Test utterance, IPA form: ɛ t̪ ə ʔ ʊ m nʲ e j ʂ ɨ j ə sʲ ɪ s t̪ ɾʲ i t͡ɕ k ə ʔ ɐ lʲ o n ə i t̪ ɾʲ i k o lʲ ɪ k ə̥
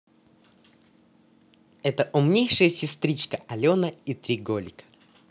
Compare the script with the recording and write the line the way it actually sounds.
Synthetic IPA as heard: ɛ t̪ ə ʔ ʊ m nʲ e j ʂ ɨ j ə sʲ ɪ s t̪ ɾʲ i t͡ɕ k ə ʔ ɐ lʲ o n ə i t̪ ɾʲ i ɡ o lʲ ɪ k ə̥